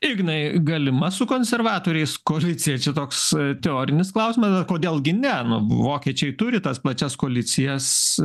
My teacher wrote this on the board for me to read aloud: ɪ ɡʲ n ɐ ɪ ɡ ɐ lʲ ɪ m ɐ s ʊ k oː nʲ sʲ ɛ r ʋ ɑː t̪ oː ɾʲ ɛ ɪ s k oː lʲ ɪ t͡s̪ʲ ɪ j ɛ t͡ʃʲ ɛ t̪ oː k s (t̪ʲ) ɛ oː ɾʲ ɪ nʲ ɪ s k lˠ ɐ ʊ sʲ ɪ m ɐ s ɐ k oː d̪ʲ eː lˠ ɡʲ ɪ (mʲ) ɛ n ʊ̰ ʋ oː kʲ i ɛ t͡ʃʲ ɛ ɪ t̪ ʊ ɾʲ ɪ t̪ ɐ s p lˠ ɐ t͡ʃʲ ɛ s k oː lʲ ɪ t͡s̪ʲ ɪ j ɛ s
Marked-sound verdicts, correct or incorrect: correct, incorrect: nʲ

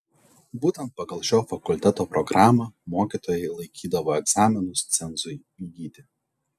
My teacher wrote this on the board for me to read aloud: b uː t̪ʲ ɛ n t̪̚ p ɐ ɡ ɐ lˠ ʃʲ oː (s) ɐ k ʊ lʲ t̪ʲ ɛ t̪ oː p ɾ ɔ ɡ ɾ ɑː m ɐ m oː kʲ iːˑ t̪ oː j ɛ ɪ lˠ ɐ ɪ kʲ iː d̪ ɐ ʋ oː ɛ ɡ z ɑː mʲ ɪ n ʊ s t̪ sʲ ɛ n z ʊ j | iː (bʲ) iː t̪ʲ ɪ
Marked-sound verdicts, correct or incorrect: incorrect: f, incorrect: ɡʲ

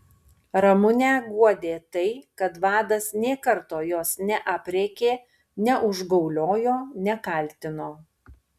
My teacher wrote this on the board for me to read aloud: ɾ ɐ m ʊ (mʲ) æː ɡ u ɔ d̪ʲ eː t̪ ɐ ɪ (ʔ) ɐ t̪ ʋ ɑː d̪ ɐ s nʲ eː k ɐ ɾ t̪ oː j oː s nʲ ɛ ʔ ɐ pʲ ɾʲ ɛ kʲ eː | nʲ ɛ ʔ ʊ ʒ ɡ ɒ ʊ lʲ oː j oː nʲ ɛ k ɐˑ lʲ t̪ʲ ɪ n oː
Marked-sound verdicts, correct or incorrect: incorrect: nʲ, incorrect: k

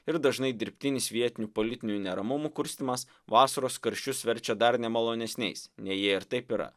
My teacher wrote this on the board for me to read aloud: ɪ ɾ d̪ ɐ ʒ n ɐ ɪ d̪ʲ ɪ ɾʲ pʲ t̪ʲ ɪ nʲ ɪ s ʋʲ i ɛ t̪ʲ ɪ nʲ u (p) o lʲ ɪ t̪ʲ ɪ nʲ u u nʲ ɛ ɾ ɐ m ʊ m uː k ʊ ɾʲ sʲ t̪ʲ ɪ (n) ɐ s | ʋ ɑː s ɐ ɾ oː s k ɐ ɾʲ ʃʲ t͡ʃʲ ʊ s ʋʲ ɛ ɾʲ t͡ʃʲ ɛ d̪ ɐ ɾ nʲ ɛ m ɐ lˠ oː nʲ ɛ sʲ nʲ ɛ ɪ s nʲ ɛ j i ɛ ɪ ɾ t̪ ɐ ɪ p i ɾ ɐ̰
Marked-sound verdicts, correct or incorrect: correct, incorrect: m

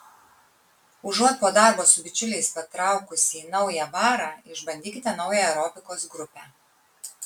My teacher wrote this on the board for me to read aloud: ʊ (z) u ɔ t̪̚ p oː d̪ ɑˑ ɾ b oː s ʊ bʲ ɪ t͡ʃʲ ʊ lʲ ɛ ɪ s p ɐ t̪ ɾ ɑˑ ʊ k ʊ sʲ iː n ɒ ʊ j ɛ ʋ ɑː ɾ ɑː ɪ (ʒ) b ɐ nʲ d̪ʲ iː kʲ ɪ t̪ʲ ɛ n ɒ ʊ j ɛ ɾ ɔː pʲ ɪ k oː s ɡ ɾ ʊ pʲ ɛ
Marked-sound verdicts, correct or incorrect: incorrect: ʒ, correct

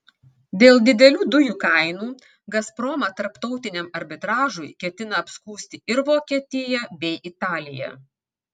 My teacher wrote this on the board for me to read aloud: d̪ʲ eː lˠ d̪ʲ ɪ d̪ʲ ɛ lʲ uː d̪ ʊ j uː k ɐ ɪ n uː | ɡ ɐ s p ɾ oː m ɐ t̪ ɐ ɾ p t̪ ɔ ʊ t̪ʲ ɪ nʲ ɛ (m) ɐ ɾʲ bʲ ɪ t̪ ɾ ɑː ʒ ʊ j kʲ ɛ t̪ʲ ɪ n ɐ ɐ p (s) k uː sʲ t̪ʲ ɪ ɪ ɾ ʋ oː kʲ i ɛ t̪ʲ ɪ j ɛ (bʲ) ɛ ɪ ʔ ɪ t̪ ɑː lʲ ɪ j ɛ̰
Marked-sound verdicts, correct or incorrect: correct, correct, correct

